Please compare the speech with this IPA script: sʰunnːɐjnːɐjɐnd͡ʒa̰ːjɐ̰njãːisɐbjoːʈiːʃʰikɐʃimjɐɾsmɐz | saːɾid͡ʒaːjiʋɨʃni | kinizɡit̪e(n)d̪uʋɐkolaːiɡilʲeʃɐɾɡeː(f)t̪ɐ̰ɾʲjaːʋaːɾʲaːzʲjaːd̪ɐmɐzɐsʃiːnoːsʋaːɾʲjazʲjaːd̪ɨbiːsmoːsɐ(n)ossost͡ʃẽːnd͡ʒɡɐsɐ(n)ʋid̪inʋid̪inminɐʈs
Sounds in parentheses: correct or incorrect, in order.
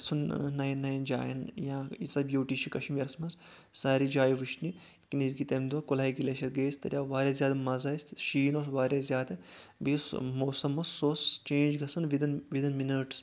incorrect: m, incorrect: s, incorrect: m, correct

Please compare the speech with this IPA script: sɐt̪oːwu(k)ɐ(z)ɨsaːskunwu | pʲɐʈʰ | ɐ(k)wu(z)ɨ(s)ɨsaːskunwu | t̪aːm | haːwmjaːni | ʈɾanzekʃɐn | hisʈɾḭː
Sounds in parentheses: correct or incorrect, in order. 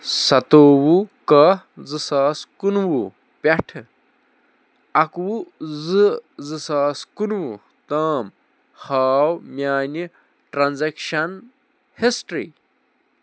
correct, correct, correct, correct, incorrect: z

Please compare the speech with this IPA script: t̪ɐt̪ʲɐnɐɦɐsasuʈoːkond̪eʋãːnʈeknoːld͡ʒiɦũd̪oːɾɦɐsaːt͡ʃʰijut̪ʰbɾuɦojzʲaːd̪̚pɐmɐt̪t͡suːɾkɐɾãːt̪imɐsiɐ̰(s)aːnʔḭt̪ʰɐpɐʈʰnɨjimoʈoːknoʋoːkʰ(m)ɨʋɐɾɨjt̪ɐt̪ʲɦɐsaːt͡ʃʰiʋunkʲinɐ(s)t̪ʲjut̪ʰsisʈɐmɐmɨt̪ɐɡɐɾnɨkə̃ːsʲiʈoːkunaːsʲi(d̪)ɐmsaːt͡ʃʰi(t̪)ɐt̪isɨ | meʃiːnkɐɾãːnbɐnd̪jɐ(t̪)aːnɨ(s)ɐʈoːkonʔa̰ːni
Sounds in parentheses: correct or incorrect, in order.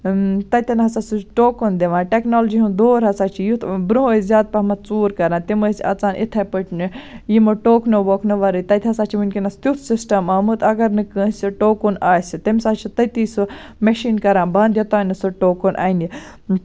incorrect: t͡s, incorrect: n, correct, incorrect: t̪, correct, correct, correct

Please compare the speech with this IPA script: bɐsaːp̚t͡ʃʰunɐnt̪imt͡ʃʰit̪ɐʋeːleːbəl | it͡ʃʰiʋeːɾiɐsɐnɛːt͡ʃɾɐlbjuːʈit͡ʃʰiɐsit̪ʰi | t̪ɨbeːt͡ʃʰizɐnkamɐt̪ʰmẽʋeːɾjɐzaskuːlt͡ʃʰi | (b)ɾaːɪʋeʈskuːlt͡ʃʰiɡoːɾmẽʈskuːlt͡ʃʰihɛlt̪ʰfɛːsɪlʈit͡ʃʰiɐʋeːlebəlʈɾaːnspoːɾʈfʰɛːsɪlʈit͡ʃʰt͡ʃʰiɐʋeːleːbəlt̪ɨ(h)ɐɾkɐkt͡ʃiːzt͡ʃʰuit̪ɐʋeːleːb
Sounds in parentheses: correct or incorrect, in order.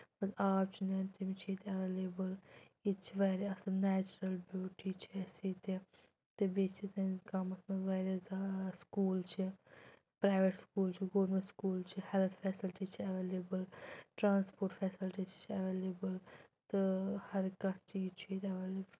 incorrect: p, correct

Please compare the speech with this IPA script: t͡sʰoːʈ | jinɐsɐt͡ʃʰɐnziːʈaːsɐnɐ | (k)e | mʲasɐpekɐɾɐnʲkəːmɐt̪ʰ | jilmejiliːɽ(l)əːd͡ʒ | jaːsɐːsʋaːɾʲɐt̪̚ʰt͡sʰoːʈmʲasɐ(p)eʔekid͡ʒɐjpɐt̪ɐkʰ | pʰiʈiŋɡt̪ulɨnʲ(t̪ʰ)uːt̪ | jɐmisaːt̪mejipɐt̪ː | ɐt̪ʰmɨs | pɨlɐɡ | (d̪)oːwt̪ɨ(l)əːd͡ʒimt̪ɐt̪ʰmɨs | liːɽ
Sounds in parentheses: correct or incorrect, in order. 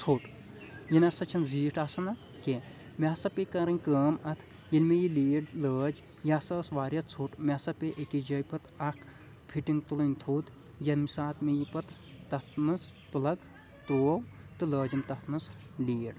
correct, correct, correct, correct, incorrect: t̪, correct

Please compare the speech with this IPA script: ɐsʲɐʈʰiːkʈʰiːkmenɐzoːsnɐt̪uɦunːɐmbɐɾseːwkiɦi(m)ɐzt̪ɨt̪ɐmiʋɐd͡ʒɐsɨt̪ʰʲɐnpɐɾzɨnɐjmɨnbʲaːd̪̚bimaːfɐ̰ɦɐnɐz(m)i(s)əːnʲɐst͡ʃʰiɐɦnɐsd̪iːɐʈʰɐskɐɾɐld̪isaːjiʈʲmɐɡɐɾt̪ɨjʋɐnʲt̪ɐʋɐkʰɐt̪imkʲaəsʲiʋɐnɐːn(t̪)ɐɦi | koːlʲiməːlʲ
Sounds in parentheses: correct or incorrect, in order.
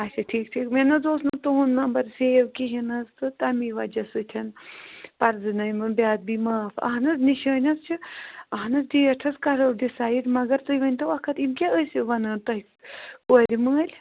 incorrect: n, incorrect: n, incorrect: ʃ, correct

